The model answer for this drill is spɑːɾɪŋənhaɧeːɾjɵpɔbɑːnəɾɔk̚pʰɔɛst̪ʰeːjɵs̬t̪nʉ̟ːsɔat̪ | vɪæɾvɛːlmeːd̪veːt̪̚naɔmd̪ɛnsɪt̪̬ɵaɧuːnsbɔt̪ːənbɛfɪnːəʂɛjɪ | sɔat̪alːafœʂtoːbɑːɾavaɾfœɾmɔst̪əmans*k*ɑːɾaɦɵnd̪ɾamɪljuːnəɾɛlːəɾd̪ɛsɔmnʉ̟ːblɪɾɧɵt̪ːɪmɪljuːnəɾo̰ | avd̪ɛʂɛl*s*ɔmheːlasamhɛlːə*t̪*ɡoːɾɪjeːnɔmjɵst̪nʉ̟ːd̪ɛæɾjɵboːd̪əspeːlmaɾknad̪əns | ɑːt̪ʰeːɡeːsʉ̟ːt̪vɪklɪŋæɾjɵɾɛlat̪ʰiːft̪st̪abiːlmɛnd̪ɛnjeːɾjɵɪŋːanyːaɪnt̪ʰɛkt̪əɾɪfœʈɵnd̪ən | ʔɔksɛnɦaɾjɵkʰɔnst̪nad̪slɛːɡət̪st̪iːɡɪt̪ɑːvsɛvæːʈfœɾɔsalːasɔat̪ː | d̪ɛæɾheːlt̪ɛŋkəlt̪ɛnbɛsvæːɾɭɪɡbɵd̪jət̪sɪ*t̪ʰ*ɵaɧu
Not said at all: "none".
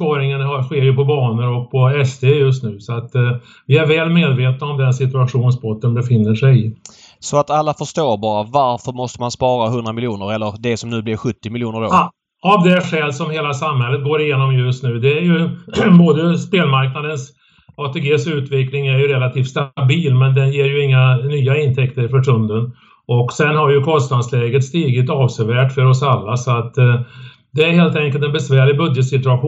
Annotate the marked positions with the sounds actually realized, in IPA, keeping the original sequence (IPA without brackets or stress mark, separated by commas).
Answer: p, s, t̪, t̪